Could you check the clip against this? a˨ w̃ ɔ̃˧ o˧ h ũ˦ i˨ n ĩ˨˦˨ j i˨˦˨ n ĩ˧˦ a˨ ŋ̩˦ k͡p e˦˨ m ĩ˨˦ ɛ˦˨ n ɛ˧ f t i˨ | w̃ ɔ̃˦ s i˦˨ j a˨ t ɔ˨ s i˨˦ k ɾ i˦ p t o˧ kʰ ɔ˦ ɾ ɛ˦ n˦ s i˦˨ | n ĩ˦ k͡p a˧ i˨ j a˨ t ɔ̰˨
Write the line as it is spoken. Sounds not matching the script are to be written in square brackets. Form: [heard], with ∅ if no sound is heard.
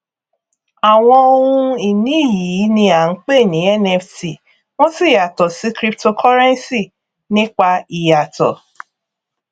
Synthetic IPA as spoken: a˨ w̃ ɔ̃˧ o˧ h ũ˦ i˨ n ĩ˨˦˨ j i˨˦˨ n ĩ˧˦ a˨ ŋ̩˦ k͡p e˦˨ [n] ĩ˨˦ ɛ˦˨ n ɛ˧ f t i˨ | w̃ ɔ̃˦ s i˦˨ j a˨ t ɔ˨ s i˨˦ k ɾ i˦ p t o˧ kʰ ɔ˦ ɾ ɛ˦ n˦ s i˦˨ | n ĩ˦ k͡p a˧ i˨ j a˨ t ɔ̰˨